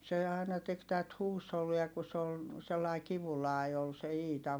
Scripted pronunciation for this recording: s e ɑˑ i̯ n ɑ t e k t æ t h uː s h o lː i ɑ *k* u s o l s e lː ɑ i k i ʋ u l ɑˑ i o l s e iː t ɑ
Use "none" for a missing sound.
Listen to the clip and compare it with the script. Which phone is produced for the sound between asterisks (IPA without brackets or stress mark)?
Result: k